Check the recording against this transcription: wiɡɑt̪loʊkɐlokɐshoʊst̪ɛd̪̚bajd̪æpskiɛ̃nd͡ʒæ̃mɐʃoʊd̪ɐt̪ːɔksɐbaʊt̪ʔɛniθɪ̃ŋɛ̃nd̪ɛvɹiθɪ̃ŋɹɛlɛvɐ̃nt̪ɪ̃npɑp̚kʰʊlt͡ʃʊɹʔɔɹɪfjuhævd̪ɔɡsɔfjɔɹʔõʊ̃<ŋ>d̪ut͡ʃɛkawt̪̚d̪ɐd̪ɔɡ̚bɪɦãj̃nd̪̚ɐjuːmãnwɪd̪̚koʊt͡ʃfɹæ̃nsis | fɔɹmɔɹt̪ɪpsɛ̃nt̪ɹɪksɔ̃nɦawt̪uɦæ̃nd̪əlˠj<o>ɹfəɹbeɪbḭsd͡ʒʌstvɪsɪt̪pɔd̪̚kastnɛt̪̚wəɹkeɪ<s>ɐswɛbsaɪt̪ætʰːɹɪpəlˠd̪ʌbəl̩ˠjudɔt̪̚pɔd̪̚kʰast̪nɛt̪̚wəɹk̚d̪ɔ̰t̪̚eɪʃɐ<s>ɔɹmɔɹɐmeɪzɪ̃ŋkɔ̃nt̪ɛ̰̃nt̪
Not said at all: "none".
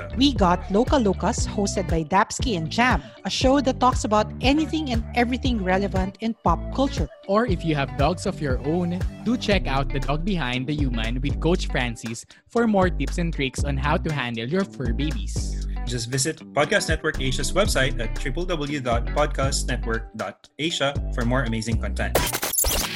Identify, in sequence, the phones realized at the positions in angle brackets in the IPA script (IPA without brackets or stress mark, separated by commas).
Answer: n, ɔ, ʃ, f